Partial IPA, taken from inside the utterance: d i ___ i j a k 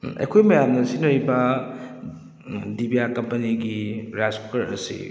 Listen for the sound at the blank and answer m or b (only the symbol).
b